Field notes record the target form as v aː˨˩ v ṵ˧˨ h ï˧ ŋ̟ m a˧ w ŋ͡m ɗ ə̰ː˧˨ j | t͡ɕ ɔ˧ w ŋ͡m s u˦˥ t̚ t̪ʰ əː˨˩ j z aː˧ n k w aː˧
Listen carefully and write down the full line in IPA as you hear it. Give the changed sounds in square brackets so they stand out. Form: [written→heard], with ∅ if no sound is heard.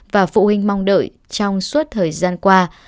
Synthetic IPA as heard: v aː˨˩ [v→f] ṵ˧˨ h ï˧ ŋ̟ m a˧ w ŋ͡m ɗ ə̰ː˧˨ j | t͡ɕ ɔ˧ w ŋ͡m s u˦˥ t̚ t̪ʰ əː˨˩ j z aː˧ n k w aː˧